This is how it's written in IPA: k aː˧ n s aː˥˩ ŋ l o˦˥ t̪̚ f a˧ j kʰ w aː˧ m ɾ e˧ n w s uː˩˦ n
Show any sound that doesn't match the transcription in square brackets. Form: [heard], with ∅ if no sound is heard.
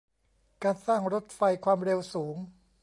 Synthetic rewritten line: k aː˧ n s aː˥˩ ŋ [ɾ] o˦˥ t̪̚ f a˧ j kʰ w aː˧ m ɾ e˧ [∅] w s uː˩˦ [ŋ]